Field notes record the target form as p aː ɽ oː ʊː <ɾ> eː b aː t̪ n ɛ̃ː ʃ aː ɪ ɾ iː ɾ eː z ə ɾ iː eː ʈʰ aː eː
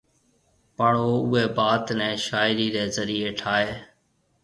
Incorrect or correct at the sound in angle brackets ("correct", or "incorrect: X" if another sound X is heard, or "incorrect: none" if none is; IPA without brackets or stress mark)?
incorrect: none